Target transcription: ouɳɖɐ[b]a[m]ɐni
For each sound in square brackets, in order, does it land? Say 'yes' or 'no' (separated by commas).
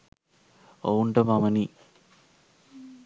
no, yes